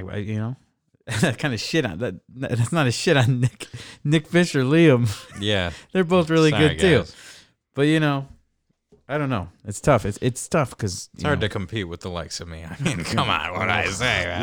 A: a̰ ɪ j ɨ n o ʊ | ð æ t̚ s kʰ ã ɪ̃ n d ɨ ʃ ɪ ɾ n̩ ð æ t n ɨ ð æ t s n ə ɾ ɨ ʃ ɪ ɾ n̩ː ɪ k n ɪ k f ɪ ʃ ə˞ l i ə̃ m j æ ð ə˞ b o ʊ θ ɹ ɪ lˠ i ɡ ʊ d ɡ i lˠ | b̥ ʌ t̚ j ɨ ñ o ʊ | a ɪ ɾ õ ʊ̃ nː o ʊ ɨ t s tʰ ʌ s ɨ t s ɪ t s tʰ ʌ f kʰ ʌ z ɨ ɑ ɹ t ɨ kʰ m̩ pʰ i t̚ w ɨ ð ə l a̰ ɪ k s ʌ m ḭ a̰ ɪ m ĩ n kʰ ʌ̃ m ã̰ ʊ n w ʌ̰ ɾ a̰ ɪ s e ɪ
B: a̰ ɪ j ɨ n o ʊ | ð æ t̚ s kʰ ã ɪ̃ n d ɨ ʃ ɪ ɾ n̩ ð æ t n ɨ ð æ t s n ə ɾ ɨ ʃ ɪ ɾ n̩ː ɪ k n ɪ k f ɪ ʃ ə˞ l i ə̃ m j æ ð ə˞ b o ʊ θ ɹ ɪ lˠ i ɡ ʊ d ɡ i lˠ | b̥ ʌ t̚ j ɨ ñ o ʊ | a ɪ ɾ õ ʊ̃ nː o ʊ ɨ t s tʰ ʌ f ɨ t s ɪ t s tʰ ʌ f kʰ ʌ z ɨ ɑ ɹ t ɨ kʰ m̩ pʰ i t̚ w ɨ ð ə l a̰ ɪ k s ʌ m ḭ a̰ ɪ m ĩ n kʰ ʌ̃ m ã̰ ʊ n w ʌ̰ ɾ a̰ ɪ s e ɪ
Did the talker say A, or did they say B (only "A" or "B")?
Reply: B